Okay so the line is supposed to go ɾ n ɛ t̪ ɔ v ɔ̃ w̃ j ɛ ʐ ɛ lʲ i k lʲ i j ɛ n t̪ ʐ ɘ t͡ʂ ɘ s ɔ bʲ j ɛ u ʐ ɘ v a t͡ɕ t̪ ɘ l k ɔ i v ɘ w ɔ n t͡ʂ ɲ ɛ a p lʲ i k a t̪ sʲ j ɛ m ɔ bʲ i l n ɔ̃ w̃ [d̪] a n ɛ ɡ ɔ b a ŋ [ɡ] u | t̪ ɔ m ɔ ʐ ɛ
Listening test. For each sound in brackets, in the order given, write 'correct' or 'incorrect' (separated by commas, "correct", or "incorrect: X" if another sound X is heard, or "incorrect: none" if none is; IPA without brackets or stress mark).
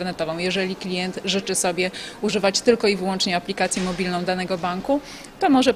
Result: correct, incorrect: k